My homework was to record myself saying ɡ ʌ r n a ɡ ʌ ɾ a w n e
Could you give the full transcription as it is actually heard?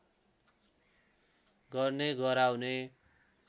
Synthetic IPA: ɡ ʌ r n e ɡ ʌ ɾ a w n e